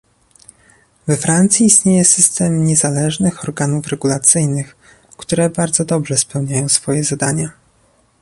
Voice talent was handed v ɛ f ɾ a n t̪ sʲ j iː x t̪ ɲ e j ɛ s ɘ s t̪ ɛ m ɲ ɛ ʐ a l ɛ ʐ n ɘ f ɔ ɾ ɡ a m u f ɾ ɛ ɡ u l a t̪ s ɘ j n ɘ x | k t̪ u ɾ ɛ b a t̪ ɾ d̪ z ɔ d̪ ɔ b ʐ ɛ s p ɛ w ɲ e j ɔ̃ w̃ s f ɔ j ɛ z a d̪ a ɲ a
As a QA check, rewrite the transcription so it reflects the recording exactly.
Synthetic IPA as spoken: v ɛ f ɾ a n t̪ sʲ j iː s t̪ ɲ e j ɛ s ɘ s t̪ ɛ m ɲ ɛ z a l ɛ ʐ n ɘ x ɔ ɾ ɡ a n u f ɾ ɛ ɡ u l a t̪ s ɘ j n ɘ x | k t̪ u ɾ ɛ b a ɾ d̪ z ɔ d̪ ɔ b ʐ ɛ s p ɛ w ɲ a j ɔ̃ w̃ s f ɔ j ɛ z a d̪ a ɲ a